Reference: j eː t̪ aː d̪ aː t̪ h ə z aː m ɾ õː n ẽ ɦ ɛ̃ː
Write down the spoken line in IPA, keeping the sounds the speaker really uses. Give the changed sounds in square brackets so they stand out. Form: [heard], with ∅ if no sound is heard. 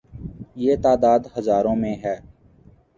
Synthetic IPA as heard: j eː t̪ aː d̪ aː [d̪] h ə z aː [∅] ɾ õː [m] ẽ ɦ [ɛː]